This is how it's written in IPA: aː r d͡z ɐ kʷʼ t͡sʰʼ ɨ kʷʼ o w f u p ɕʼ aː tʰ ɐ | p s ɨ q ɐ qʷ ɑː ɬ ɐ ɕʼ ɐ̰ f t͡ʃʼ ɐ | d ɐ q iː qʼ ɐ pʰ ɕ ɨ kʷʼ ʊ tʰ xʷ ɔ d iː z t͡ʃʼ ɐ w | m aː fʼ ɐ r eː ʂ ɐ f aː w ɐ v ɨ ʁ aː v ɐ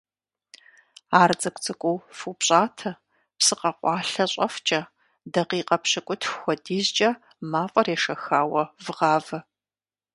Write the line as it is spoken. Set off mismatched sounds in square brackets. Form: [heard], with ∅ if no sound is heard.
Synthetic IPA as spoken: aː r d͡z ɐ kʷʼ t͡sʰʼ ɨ kʷʼ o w f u p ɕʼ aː tʰ ɐ | p s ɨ q ɐ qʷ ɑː ɬ ɐ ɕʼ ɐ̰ f t͡ʃʼ ɐ | d ɐ q iː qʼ ɐ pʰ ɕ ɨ kʷʼ ʊ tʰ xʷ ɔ d iː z t͡ʃʼ ɐ [∅] | m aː fʼ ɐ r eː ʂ ɐ [x] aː w ɐ v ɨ ʁ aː v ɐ